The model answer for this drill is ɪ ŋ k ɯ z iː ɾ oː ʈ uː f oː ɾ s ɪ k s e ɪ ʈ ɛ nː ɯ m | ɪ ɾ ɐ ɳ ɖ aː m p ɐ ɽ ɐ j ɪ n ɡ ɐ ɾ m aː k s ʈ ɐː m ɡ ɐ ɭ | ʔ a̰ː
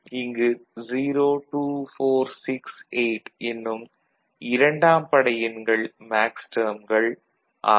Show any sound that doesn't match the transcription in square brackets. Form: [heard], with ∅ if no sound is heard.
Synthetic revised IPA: ɪ ŋ [ɡ] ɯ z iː ɾ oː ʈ uː f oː ɾ s ɪ k s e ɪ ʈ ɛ nː ɯ m | ɪ ɾ ɐ ɳ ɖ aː m p ɐ ɽ ɐ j ɪ n ɡ ɐ [ɭ] m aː k s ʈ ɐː m ɡ ɐ ɭ | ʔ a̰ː